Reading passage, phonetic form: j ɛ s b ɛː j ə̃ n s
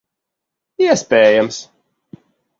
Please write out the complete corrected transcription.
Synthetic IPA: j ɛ s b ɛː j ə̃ m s